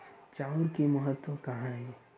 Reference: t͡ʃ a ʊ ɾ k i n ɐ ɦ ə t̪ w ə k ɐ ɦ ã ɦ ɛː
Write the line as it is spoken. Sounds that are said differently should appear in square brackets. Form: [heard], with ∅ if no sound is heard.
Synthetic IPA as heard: t͡ʃ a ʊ ɾ k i [m] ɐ ɦ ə t̪ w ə k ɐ ɦ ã ɦ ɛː